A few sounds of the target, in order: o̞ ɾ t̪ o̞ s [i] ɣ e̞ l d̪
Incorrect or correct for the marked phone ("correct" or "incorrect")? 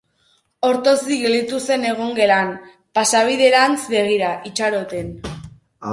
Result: correct